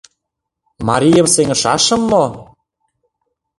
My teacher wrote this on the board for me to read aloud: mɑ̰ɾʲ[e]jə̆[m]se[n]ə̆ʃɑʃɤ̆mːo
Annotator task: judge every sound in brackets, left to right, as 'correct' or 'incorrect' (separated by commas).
incorrect, correct, incorrect